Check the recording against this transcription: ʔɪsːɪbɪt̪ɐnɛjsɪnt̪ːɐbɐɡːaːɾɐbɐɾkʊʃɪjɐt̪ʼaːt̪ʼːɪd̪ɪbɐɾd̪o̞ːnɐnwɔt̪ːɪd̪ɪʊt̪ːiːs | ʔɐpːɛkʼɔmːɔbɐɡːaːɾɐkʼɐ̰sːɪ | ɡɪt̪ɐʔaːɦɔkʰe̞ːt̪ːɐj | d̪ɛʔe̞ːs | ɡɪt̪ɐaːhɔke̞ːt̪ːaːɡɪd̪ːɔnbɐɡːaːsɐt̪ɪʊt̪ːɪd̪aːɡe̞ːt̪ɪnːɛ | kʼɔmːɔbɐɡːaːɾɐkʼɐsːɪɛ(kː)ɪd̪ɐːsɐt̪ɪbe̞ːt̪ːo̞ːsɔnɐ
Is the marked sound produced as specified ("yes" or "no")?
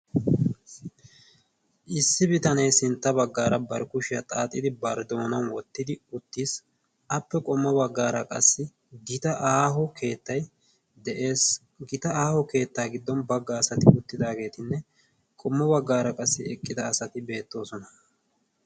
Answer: no